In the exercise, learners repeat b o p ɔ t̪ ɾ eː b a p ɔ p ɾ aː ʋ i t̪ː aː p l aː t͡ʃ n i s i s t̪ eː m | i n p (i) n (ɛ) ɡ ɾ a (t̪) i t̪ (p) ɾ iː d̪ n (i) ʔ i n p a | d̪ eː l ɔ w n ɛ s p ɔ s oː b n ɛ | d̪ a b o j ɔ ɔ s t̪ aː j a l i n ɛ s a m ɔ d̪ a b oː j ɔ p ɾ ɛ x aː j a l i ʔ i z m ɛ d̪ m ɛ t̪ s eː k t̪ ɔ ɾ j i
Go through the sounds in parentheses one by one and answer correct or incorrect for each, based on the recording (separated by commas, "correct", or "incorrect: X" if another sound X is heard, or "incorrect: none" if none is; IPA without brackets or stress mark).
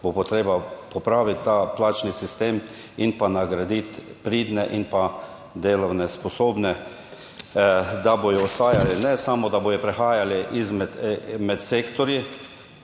incorrect: a, incorrect: a, incorrect: d̪, correct, incorrect: ɛ